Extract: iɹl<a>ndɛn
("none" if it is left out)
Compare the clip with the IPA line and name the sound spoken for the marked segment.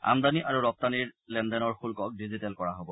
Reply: ɛ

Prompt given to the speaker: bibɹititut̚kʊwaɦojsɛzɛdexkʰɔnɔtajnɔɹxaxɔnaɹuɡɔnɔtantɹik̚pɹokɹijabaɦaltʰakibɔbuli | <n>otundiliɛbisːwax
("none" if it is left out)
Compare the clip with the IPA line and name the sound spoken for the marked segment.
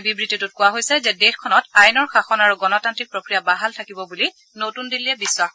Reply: n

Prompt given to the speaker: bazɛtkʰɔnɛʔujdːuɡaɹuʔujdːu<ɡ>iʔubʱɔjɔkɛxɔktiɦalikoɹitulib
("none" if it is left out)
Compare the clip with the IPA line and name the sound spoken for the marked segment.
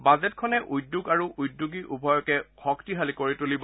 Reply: ɡ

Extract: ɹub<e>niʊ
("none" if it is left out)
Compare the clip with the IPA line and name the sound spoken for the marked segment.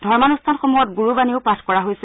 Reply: a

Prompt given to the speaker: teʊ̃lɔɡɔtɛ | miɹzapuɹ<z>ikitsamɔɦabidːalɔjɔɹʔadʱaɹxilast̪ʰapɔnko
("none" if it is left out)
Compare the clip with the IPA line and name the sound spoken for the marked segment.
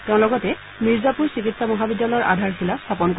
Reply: s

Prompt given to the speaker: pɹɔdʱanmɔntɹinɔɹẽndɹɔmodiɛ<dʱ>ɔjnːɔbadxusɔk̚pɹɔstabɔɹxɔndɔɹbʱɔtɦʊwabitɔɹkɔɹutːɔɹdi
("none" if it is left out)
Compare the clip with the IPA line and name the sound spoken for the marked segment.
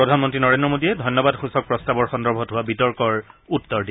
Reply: dʱ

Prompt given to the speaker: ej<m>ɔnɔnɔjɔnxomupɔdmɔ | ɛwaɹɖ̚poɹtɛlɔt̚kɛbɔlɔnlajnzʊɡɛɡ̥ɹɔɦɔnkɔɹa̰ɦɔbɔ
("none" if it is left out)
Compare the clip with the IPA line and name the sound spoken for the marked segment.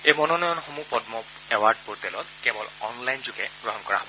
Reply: m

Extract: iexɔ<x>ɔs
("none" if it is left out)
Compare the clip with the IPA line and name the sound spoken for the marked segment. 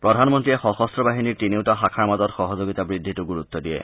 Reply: x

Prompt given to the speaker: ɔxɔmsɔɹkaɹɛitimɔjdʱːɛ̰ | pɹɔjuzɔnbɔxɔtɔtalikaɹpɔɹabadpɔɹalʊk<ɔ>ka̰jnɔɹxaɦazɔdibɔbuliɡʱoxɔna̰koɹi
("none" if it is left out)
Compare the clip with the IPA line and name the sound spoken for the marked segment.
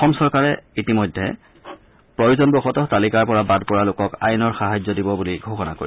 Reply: ɔ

